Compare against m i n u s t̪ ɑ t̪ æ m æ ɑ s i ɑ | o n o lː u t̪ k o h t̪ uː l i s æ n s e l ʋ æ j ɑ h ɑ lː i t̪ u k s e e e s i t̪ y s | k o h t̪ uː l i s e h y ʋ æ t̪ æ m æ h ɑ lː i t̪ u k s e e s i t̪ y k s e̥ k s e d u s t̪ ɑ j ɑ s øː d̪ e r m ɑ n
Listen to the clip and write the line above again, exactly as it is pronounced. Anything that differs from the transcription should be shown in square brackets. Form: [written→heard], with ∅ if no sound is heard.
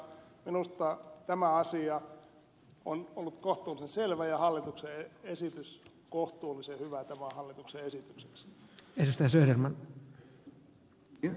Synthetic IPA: m i n u s t̪ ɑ t̪ æ m æ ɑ s i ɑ | o n o lː u t̪ k o h t̪ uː l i s [æ→e] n s e l ʋ æ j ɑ h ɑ lː i t̪ u k s e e e s i t̪ y s | k o h t̪ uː l i s e h y ʋ æ t̪ æ m æ h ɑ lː i t̪ u k s e e s i t̪ y k s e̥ k s e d u s t̪ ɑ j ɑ s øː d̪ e r m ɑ n